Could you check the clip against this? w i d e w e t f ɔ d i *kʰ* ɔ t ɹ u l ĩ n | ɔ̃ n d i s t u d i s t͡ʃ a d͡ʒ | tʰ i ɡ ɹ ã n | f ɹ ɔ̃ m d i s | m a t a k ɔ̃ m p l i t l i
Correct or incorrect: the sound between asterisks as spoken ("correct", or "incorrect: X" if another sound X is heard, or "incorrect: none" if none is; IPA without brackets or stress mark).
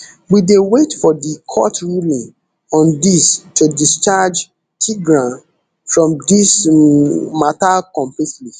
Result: correct